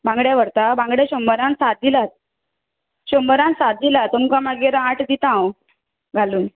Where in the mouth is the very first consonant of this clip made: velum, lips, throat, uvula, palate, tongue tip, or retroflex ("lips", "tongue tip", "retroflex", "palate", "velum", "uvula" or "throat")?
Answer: lips